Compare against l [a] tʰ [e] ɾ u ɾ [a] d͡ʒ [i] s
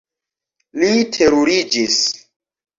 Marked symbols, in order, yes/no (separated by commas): no, yes, no, yes